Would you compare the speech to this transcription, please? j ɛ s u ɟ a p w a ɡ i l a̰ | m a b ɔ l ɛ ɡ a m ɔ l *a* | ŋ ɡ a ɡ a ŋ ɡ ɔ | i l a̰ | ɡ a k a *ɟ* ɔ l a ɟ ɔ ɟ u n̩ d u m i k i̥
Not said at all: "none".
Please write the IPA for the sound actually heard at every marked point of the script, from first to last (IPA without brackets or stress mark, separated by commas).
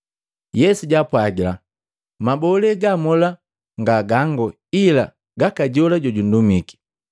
a, ɟ